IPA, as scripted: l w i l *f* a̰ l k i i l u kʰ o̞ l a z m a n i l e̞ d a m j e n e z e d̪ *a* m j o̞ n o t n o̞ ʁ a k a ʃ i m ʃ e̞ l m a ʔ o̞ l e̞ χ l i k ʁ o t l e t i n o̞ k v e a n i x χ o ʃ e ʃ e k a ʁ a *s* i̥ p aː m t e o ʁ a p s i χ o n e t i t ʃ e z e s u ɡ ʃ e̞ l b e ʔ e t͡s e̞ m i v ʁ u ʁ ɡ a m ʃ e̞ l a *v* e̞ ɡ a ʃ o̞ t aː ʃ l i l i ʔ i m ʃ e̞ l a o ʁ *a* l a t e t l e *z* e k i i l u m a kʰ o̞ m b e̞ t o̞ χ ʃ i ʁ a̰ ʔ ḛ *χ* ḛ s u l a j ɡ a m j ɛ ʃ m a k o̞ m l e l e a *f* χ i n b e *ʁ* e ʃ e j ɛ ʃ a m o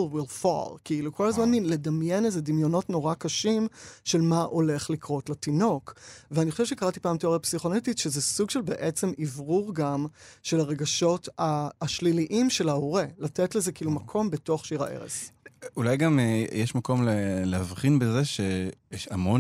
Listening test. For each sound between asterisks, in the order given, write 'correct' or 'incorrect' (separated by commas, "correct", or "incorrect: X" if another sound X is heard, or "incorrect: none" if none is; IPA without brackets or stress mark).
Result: correct, incorrect: i, incorrect: t, incorrect: ʁ, incorrect: e, correct, incorrect: ʁ, incorrect: v, incorrect: z